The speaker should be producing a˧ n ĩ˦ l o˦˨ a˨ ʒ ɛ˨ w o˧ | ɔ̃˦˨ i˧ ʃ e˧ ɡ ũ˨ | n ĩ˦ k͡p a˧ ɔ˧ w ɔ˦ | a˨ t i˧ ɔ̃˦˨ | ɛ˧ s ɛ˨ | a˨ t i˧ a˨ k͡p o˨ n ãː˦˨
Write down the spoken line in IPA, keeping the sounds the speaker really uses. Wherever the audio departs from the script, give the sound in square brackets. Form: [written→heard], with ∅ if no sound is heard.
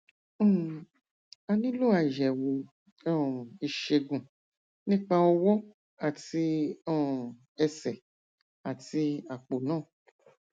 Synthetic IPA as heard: a˧ n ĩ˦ l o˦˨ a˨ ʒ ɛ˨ w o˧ | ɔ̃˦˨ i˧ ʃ e˧ ɡ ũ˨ | n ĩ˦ k͡p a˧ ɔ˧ w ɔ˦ | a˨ t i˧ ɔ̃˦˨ | ɛ˧ s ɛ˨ | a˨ t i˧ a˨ k͡p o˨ n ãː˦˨